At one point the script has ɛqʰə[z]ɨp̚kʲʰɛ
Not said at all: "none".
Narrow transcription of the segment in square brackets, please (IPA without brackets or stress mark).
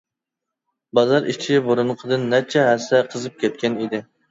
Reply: z